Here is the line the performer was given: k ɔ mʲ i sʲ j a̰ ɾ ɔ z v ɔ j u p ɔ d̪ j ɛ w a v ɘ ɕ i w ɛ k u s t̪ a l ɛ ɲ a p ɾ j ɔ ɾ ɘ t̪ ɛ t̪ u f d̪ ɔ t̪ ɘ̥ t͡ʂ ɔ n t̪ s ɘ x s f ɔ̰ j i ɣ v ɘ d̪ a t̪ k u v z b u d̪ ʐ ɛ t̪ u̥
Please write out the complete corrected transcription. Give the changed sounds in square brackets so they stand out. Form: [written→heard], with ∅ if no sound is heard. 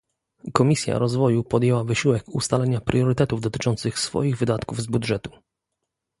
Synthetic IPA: k ɔ mʲ i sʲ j a̰ ɾ ɔ z v ɔ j u p ɔ d̪ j ɛ w a v ɘ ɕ i w ɛ k u s t̪ a l ɛ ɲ a p ɾ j ɔ ɾ ɘ t̪ ɛ t̪ u [f→v] d̪ ɔ t̪ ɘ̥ t͡ʂ ɔ n t̪ s ɘ x s f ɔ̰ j i ɣ v ɘ d̪ a t̪ k u v z b u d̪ ʐ ɛ t̪ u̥

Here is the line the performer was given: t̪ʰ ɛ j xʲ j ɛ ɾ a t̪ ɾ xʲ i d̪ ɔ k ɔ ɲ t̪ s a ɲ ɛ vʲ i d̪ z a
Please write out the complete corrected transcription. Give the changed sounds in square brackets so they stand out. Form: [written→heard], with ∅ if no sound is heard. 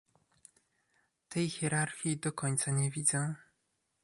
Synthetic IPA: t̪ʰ ɛ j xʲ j ɛ ɾ a [t̪→∅] ɾ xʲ i d̪ ɔ k ɔ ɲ t̪ s a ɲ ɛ vʲ i d̪ z [a→ɛ]

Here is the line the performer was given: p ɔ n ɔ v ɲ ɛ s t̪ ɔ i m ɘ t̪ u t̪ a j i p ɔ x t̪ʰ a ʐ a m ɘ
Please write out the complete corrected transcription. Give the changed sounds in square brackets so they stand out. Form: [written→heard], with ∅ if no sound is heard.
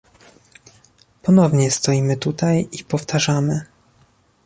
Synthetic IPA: p ɔ n ɔ v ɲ ɛ s t̪ ɔ i m ɘ t̪ u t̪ a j i p ɔ [x→f] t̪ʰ a ʐ a m ɘ

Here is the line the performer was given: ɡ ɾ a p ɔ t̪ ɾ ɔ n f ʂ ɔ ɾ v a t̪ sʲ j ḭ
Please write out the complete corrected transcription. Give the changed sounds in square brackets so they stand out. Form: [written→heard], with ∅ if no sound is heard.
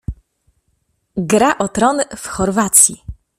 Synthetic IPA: ɡ ɾ a [p→ʔ] ɔ t̪ ɾ ɔ n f [ʂ→x] ɔ ɾ v a t̪ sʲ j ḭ

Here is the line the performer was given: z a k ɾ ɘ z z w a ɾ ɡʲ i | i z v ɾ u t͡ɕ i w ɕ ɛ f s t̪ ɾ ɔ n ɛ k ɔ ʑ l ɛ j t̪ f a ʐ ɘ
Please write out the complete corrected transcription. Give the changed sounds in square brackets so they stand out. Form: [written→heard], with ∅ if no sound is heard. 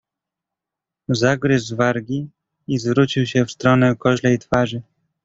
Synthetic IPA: z a [k→ɡ] ɾ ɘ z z [w→v] a ɾ ɡʲ i | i z v ɾ u t͡ɕ i w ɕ ɛ f s t̪ ɾ ɔ n ɛ k ɔ ʑ l ɛ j t̪ f a ʐ ɘ

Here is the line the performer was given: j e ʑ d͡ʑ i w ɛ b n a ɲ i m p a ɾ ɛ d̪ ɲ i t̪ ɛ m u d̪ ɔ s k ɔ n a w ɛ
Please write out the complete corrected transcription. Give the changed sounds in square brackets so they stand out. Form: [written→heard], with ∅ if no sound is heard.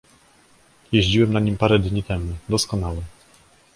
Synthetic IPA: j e ʑ d͡ʑ i w ɛ [b→m] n a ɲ i m p a ɾ ɛ d̪ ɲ i t̪ ɛ m u d̪ ɔ s k ɔ n a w ɛ

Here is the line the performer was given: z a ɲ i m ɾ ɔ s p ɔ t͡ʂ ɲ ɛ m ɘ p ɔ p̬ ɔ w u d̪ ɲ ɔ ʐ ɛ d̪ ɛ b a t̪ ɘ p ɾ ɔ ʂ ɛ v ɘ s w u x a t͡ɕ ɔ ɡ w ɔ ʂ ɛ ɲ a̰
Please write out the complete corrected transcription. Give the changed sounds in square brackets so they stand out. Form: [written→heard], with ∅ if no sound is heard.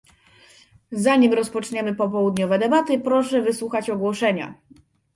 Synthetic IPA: z a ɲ i m ɾ ɔ s p ɔ t͡ʂ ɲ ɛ m ɘ p ɔ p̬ ɔ w u d̪ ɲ ɔ [ʐ→v] ɛ d̪ ɛ b a t̪ ɘ p ɾ ɔ ʂ ɛ v ɘ s w u x a t͡ɕ ɔ ɡ w ɔ ʂ ɛ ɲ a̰

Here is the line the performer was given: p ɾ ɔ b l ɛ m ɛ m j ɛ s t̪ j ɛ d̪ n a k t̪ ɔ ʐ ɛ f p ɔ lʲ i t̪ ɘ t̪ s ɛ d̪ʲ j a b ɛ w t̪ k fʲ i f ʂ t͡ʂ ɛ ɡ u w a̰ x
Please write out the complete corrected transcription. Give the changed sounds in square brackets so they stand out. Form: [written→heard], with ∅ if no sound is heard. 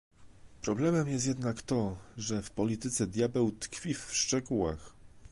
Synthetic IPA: p ɾ ɔ b l ɛ m ɛ m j ɛ s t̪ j ɛ d̪ n a k t̪ ɔ ʐ ɛ f p ɔ lʲ i t̪ ɘ t̪ s ɛ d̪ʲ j a b ɛ w t̪ k fʲ i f ʂ t͡ʂ ɛ ɡ u w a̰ x

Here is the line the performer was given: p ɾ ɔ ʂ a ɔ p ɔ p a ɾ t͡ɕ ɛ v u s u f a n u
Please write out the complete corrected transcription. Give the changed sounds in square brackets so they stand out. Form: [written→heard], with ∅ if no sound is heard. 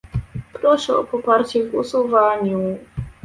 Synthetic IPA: p ɾ ɔ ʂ [a→ɛ] ɔ p ɔ p a ɾ t͡ɕ ɛ v u s u [f→v] a [n→ɲ] u

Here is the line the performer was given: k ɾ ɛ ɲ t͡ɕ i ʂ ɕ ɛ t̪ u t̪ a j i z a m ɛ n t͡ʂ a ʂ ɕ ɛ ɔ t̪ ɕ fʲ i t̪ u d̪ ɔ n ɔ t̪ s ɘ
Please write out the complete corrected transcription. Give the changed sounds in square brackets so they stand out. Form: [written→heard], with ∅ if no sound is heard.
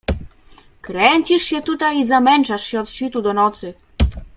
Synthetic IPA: k ɾ ɛ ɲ t͡ɕ i ʂ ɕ ɛ t̪ u t̪ a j i z a m ɛ n t͡ʂ a ʂ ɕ ɛ ɔ t̪ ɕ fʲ i t̪ u d̪ ɔ n ɔ t̪ s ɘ

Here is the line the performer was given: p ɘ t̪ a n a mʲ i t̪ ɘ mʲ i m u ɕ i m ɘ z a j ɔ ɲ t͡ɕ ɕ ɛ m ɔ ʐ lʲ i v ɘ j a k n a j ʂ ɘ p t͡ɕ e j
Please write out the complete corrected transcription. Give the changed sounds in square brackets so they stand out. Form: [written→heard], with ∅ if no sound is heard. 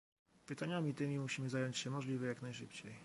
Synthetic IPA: p ɘ t̪ a [n→ɲ] a mʲ i t̪ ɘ mʲ i m u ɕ i m ɘ z a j ɔ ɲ t͡ɕ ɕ ɛ m ɔ ʐ lʲ i v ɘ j a k n a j ʂ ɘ p t͡ɕ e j

